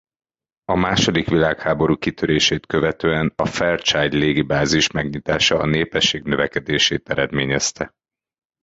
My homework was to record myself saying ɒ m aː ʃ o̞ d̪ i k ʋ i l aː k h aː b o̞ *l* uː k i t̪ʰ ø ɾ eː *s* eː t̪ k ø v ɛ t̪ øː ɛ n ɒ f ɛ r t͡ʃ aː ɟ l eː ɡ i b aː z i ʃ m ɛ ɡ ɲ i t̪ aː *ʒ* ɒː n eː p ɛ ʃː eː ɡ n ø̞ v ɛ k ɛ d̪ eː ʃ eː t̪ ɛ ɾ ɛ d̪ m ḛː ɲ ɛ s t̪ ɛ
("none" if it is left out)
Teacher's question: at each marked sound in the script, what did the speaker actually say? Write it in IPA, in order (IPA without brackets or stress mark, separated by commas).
ɾ, ʃ, ʃ